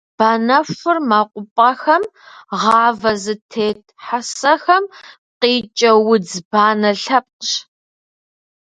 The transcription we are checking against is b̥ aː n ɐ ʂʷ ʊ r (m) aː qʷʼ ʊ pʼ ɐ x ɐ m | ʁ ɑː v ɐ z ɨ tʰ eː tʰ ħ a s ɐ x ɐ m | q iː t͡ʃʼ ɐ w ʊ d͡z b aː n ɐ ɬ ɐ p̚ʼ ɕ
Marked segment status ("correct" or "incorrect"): correct